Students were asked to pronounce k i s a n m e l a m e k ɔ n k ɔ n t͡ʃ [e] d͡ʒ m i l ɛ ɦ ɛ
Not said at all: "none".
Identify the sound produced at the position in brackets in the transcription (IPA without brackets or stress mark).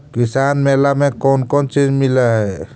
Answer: i